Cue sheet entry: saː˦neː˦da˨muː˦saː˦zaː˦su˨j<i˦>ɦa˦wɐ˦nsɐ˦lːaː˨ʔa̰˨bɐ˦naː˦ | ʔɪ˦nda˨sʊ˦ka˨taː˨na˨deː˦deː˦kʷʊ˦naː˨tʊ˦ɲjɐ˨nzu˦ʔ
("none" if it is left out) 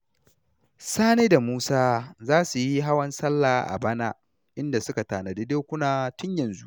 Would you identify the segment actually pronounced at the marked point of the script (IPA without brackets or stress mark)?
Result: i˦